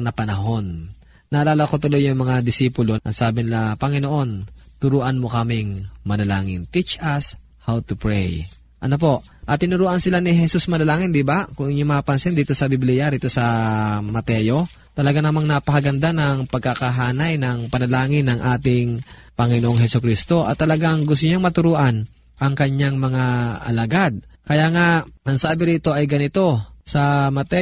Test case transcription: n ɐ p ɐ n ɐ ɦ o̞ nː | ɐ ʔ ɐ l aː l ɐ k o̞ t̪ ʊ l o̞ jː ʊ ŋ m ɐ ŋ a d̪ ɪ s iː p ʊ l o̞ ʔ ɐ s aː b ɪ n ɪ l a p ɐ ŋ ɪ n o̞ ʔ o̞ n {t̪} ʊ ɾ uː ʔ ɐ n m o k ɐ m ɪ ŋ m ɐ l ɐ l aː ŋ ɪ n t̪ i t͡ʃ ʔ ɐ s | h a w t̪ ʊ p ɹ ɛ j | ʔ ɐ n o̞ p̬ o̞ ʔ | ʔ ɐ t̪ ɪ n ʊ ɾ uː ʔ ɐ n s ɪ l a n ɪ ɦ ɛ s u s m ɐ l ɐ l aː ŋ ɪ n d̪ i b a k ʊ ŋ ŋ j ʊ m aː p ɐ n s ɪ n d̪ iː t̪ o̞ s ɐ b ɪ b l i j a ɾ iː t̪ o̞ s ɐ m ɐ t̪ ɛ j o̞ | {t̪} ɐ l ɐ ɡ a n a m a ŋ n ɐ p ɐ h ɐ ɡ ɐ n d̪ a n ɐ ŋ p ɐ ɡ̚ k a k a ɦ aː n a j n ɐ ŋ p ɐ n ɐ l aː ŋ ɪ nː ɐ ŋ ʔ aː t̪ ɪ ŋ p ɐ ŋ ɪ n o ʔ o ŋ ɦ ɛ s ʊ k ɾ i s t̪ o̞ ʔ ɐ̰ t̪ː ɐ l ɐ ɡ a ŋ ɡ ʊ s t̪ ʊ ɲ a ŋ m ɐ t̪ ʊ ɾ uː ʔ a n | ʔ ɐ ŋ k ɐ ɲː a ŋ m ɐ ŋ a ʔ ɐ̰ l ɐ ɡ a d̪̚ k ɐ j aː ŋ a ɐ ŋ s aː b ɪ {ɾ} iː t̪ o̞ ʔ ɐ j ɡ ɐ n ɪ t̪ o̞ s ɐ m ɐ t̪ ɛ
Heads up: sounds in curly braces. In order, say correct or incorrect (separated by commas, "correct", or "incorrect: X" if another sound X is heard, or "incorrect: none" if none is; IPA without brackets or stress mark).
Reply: correct, correct, correct